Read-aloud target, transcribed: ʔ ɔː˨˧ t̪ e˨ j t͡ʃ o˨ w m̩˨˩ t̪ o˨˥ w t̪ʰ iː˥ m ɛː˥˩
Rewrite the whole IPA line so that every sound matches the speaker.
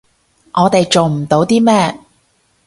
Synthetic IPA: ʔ ɔː˨˧ t̪ e˨ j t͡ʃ o˨ w m̩˨˩ t̪ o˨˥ w t̪ iː˥ m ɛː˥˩